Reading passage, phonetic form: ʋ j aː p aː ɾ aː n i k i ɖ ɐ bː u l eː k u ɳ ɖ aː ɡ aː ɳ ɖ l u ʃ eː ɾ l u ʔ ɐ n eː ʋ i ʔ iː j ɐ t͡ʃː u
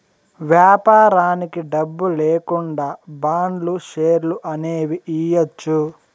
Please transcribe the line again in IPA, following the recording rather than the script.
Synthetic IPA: ʋ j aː p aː ɾ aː n i k i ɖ ɐ bː u l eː k u ɳ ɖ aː b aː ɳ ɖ l u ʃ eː ɾ l u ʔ ɐ n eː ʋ i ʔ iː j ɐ t͡ʃː u